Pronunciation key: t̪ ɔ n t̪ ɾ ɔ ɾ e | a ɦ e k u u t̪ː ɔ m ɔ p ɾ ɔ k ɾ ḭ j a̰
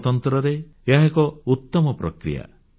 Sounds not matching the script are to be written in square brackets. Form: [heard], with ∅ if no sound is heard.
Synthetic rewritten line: t̪ ɔ n t̪ ɾ ɔ ɾ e | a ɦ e k [ɔ] u t̪ː ɔ m ɔ p ɾ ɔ k ɾ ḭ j a̰